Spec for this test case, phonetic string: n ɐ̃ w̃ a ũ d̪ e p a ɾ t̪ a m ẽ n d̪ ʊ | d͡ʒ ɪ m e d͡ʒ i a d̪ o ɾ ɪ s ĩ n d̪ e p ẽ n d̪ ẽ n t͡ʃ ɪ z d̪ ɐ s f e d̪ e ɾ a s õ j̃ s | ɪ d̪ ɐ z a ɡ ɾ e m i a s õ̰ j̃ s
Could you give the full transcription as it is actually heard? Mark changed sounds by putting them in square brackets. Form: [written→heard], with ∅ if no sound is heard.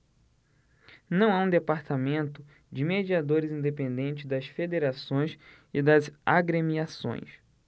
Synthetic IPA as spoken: n ɐ̃ w̃ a ũ d̪ e p a ɾ t̪ a m ẽ n [d̪→t̪] ʊ | d͡ʒ ɪ m e d͡ʒ i a d̪ o ɾ ɪ [s→z] ĩ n d̪ e p ẽ n d̪ ẽ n t͡ʃ ɪ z d̪ ɐ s f e d̪ e ɾ a s õ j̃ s | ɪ d̪ ɐ z a ɡ ɾ e m i a s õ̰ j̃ s